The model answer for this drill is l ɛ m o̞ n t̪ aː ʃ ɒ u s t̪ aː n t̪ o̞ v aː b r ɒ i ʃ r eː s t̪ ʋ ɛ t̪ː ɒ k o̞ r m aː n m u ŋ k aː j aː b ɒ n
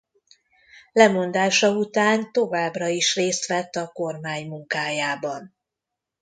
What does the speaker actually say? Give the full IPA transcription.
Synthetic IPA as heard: l ɛ m o̞ n d̪ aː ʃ ɒ u t̪ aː n t̪ o̞ v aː b r ɒ i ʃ r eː s t̪ ʋ ɛ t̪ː ɒ k o̞ r m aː ɲ m u ŋ k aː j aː b ɒ n